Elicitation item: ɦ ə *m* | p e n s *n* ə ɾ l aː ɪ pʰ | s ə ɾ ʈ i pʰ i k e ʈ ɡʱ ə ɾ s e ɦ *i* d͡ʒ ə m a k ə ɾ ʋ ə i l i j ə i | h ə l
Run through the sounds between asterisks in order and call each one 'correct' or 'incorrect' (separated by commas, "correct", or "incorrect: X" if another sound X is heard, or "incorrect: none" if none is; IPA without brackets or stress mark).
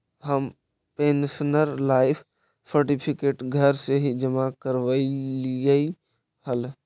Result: correct, correct, correct